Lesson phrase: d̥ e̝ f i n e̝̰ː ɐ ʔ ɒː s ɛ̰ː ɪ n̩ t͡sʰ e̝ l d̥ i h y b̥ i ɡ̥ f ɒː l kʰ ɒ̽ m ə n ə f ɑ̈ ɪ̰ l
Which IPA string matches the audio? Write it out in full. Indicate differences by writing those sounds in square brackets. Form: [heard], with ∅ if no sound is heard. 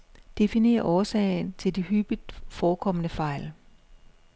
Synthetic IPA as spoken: d̥ e̝ f i n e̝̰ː ɐ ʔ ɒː s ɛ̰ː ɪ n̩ t͡sʰ e̝ l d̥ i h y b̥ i [d̥] f ɒː [∅] kʰ ɒ̽ m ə n ə f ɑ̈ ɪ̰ l